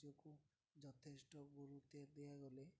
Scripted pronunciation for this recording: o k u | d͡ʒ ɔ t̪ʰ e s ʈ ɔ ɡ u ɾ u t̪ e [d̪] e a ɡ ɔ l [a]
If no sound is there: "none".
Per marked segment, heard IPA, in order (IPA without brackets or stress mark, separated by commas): d̪, e